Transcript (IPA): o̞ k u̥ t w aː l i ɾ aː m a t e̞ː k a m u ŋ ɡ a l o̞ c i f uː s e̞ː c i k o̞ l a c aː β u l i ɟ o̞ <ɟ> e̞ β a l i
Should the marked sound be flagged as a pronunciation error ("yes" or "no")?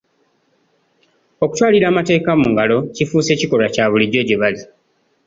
no